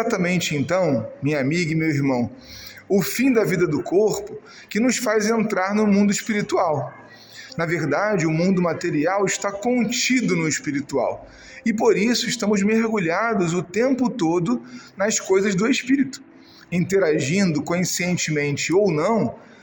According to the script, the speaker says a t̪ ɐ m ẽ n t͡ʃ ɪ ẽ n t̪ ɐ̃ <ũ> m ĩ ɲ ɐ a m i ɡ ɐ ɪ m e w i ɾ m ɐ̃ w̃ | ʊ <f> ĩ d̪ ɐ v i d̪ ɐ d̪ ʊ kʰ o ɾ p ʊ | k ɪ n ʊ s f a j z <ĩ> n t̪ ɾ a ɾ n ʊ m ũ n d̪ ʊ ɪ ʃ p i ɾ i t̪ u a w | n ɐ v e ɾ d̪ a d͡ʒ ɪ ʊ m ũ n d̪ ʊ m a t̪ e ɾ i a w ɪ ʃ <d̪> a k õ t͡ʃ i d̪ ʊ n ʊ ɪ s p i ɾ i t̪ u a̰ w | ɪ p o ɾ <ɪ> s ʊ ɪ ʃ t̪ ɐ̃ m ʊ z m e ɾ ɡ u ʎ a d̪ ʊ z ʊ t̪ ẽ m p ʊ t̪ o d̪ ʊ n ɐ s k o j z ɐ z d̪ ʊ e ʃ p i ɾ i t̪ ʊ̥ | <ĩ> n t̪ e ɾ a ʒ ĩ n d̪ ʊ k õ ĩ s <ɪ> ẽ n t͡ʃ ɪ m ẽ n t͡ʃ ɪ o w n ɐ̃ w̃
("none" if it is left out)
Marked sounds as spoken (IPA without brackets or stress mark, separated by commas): w̃, f, ẽ, t̪, i, ĩ, i